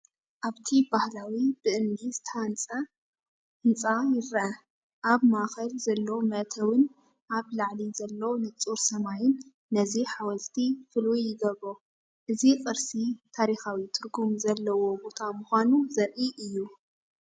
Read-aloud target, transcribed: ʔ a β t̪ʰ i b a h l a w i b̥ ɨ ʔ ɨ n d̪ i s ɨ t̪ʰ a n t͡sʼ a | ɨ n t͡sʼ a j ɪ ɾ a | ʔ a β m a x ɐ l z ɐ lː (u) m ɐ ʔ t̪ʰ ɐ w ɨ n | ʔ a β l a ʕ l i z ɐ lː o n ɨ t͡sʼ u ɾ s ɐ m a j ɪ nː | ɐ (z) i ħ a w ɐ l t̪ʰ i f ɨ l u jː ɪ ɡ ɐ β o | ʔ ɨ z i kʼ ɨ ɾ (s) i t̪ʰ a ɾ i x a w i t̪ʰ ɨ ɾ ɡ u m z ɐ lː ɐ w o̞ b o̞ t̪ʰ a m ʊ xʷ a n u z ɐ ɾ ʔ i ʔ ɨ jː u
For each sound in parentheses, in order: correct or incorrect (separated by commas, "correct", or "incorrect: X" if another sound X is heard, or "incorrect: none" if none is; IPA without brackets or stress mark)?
incorrect: o, correct, correct